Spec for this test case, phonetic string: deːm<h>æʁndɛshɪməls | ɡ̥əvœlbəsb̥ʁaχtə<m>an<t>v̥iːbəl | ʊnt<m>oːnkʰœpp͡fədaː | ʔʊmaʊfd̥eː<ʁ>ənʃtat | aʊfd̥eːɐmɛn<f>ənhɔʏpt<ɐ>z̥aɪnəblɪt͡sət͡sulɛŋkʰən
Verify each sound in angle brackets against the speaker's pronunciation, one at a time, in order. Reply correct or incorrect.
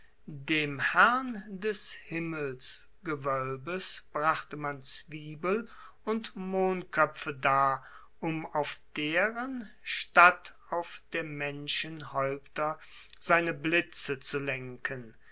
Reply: correct, correct, incorrect, correct, correct, incorrect, correct

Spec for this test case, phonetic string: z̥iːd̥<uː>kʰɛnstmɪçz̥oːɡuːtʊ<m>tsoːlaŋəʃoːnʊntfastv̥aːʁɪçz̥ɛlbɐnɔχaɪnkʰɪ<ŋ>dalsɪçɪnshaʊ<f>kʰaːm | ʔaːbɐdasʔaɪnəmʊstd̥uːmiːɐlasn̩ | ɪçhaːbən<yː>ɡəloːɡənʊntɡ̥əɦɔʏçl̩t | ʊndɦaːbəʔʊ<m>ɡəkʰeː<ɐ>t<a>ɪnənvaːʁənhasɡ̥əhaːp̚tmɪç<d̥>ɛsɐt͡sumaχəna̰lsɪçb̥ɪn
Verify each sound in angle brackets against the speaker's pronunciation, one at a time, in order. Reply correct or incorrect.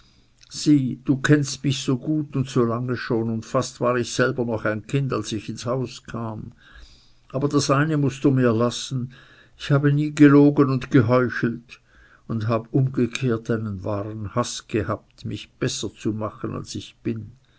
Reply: correct, incorrect, incorrect, incorrect, incorrect, correct, correct, correct, incorrect

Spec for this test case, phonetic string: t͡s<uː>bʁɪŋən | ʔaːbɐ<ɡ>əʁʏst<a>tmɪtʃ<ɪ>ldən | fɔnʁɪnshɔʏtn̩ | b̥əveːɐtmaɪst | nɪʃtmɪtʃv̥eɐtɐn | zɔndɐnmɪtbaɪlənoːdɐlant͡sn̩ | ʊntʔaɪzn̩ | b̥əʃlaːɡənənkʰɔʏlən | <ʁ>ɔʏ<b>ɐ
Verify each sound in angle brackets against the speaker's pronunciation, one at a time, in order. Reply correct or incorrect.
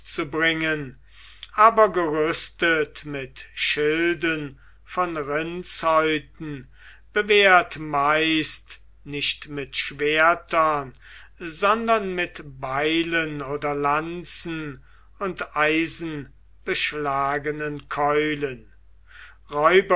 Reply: incorrect, correct, incorrect, correct, correct, correct

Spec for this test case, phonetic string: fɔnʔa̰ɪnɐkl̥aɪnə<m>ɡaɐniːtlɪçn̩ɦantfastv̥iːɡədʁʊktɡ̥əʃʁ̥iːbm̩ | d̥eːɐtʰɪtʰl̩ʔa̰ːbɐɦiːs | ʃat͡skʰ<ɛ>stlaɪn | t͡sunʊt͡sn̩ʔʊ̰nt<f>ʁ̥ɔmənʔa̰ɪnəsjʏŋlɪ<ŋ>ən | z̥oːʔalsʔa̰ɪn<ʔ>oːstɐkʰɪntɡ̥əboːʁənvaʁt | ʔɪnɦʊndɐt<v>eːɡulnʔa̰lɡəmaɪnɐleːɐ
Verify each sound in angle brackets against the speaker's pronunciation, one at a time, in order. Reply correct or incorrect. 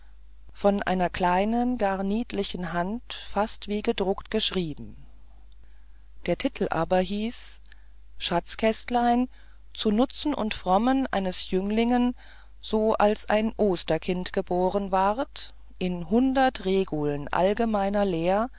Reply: incorrect, correct, correct, correct, correct, incorrect

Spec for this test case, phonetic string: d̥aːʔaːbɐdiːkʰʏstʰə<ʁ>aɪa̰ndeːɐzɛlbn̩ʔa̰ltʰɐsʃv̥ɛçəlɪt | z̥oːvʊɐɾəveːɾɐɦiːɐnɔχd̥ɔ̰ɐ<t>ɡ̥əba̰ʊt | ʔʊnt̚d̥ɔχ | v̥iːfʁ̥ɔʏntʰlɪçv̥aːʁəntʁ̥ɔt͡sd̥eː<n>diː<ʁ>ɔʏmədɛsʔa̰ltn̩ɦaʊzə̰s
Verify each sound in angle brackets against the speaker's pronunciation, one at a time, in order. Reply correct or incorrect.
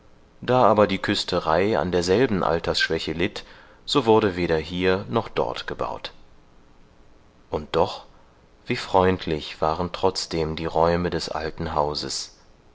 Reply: correct, correct, incorrect, correct

